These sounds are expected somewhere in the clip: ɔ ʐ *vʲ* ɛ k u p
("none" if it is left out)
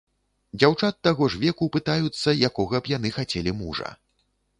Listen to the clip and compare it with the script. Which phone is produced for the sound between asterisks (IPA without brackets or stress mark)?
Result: vʲ